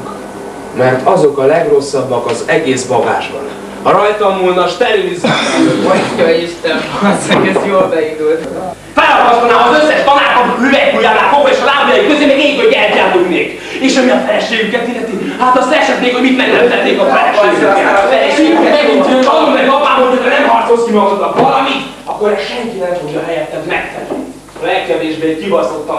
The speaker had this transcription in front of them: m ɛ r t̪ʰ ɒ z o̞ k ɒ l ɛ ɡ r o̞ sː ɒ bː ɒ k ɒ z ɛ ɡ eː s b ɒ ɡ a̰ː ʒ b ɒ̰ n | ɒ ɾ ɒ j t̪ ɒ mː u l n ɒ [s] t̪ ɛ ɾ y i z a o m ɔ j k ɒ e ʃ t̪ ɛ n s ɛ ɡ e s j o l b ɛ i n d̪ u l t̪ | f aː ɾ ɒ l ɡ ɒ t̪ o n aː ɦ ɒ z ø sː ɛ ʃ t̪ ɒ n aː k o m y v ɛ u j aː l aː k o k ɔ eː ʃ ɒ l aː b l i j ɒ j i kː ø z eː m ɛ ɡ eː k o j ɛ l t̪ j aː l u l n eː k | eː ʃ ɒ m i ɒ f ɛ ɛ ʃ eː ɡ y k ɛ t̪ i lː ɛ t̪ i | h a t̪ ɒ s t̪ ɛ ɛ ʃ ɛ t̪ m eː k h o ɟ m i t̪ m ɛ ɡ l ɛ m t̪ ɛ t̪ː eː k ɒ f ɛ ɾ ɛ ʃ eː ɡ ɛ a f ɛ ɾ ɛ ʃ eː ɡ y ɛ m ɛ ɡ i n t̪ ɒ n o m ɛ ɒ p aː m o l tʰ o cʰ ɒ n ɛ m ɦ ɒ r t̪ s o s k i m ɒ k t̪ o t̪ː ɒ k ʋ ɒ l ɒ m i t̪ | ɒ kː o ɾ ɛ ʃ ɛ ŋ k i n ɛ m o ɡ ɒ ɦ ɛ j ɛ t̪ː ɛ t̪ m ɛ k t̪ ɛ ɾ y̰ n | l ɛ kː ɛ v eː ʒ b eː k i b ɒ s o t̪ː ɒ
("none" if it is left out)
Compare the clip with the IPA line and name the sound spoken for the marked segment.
ʃ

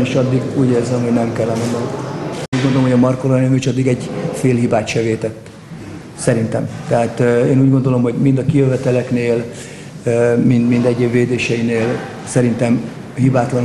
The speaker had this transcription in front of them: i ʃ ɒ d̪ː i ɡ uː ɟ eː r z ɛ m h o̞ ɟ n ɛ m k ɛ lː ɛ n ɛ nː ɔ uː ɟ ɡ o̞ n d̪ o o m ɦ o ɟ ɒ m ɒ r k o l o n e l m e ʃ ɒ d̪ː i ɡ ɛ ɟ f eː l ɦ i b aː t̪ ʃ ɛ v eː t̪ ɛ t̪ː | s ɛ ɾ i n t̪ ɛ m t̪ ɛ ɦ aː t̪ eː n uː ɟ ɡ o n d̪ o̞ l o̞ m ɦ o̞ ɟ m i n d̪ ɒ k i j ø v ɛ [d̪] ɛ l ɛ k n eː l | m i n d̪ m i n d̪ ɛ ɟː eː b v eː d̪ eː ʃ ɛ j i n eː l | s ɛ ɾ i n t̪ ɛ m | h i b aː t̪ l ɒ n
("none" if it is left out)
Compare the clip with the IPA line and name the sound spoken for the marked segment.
t̪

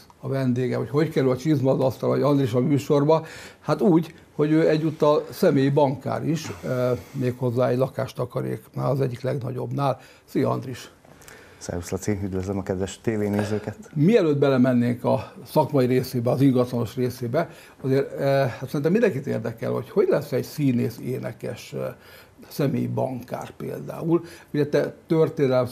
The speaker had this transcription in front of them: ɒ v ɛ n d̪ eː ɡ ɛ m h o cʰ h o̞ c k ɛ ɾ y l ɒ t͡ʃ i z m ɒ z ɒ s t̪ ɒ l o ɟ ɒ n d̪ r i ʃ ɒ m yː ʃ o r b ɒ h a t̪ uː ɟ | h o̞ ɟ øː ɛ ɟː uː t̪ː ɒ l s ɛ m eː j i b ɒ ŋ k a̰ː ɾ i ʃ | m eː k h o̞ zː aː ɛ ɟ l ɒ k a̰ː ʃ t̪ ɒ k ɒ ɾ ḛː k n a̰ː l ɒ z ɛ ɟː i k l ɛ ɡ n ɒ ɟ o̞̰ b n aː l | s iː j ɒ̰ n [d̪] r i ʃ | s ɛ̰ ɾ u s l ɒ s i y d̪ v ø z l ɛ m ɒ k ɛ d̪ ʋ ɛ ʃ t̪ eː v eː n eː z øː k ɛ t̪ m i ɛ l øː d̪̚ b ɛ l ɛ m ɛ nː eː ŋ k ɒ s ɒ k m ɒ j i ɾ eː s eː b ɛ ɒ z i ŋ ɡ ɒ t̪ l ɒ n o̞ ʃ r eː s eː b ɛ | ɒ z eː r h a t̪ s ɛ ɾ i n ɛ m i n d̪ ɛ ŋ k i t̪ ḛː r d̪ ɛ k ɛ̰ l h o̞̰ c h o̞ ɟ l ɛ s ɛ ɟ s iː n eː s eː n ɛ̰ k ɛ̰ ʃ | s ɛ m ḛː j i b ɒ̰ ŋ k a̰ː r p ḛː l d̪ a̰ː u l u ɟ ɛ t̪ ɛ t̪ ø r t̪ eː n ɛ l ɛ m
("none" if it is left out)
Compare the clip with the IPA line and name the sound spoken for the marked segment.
d̪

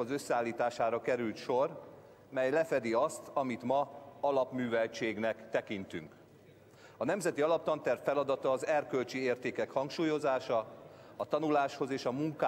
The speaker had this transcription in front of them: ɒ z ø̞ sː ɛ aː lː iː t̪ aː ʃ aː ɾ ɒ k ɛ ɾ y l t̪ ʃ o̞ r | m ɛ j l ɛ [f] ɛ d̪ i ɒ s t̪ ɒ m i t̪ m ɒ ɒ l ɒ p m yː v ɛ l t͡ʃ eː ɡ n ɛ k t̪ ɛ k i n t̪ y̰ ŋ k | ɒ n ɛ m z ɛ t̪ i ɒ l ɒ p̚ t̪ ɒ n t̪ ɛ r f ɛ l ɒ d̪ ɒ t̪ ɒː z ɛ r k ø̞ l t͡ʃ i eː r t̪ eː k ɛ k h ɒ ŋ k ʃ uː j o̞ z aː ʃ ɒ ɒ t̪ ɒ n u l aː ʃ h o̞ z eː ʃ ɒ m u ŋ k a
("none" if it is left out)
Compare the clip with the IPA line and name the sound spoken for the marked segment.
f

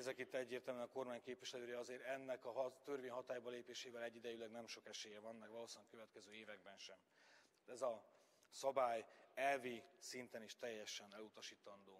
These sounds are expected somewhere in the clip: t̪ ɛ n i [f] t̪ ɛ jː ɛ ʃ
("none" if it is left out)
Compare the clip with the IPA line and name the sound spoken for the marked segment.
ʃ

